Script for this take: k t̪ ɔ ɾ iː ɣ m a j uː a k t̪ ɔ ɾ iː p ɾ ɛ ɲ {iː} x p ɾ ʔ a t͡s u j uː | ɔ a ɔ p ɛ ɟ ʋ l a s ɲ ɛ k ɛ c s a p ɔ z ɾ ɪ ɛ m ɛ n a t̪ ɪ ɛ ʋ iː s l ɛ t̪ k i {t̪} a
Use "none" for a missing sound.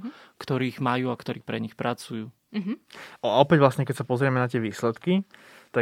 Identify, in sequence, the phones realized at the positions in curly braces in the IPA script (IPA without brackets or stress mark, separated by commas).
i, t̪